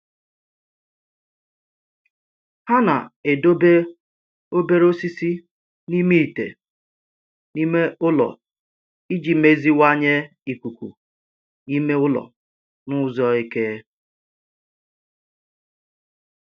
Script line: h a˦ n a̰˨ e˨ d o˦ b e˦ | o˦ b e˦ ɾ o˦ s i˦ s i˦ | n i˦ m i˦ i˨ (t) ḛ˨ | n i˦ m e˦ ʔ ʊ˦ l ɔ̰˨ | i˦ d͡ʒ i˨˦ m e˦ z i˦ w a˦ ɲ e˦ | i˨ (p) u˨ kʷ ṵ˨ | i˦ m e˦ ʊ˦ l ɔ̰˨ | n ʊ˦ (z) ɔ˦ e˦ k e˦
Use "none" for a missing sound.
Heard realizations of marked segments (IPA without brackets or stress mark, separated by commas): t, k, z